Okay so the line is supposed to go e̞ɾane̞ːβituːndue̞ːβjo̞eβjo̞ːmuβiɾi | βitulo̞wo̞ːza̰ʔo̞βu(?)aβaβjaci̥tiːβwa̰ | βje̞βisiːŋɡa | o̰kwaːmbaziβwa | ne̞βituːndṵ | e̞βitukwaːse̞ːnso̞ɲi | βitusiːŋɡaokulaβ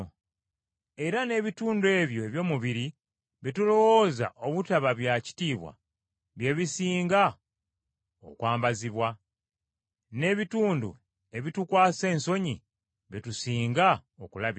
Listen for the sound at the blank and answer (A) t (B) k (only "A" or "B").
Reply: A